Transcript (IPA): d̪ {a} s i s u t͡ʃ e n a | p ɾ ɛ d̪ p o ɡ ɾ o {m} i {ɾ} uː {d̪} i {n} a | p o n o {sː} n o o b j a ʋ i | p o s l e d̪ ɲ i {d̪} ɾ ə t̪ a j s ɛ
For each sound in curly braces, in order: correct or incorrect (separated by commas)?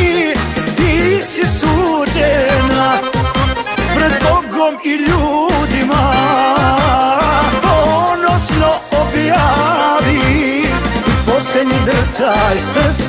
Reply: incorrect, correct, incorrect, correct, incorrect, incorrect, correct